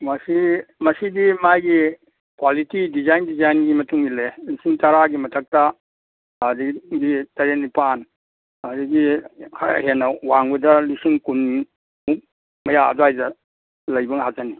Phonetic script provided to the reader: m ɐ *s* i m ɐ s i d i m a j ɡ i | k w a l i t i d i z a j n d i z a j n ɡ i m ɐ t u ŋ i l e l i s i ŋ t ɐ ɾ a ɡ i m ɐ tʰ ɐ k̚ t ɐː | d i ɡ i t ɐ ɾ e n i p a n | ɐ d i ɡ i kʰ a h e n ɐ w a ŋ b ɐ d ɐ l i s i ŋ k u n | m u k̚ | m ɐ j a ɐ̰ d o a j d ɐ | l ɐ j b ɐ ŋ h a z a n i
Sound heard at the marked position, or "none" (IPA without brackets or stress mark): s